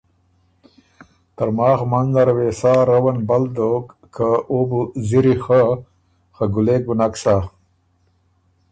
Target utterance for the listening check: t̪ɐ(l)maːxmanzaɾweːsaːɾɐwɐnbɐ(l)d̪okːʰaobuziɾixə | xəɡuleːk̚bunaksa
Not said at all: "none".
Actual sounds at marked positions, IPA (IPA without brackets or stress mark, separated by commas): ɾ, l